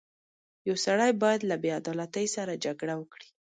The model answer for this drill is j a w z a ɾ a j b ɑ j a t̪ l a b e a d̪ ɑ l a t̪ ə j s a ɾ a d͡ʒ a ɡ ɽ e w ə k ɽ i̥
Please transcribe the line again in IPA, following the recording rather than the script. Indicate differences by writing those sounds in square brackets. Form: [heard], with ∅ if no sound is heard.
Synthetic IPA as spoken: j a w [s] a [ɽ] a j b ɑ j a [d̪] l a b e a d̪ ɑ l a t̪ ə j s a ɾ a d͡ʒ a ɡ ɽ [a] w ə k ɽ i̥